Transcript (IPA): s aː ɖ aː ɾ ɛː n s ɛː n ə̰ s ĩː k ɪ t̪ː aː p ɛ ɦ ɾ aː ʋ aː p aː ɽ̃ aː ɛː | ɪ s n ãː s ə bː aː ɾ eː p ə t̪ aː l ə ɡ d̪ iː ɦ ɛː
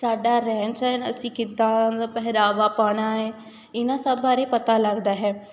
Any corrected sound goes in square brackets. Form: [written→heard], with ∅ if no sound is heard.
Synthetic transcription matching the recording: s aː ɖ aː ɾ ɛː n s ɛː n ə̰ s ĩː k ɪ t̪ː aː p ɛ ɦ ɾ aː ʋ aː p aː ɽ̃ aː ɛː | ɪ [s→∅] n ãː s ə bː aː ɾ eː p ə t̪ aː l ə ɡ d̪ [iː→aː] ɦ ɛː